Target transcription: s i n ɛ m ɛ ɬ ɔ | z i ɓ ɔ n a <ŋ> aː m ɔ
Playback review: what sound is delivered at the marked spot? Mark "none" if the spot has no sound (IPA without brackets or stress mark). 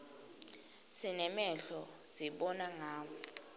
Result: ŋ